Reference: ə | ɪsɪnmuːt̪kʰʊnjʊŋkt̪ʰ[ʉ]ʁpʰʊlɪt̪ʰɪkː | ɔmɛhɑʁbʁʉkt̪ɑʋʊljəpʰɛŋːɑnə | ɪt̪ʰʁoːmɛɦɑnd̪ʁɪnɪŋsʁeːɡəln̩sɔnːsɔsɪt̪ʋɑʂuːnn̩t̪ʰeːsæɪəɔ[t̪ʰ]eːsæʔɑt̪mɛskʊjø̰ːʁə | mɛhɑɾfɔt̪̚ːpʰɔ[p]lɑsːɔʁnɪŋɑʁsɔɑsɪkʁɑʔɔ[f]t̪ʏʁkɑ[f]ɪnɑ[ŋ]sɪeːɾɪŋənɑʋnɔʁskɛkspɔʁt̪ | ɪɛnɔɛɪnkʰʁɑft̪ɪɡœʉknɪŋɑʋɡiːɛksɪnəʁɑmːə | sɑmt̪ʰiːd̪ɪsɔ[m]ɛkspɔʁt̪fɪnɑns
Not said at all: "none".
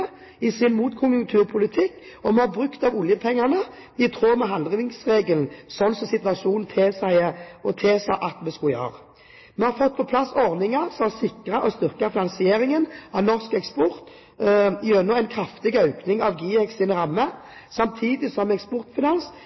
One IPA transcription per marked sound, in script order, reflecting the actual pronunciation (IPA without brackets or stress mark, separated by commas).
ʉː, t̪ʰ, pʰ, s, f, n, m